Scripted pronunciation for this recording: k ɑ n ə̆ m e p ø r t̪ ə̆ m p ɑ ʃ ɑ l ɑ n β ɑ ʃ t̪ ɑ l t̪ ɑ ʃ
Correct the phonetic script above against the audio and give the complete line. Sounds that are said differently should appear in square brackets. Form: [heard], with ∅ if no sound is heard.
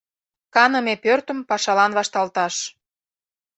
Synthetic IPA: k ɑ n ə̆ m e p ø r t̪ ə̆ m p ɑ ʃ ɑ l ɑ n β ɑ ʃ t̪ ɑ l t̪ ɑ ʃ